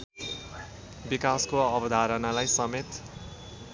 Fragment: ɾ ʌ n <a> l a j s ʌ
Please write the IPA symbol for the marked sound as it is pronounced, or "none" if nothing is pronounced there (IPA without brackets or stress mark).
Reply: a